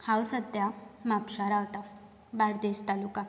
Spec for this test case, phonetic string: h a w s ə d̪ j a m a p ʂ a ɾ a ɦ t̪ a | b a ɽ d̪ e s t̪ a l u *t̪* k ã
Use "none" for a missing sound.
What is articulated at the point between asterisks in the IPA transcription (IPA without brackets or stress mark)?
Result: none